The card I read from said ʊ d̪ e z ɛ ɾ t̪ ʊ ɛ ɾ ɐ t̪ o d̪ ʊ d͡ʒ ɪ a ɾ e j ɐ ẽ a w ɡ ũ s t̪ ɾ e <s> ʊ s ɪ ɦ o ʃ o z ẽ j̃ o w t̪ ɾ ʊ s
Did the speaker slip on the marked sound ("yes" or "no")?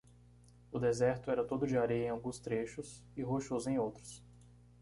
yes